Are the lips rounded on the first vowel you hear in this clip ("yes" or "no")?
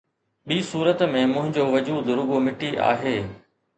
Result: no